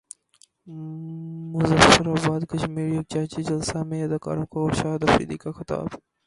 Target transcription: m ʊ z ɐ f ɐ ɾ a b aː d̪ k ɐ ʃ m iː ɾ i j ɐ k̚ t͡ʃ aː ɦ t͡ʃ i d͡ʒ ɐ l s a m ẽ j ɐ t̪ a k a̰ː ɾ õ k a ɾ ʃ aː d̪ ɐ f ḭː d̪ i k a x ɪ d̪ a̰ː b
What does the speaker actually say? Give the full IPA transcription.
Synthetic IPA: m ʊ z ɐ f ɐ ɾ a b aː d̪ k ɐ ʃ m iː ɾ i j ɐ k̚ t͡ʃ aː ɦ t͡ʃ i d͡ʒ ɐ l s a m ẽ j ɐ d̪ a k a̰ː ɾ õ k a ɾ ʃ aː d̪ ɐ f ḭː d̪ i k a x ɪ t̪ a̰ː b